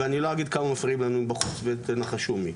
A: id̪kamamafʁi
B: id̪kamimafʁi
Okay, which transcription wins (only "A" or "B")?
A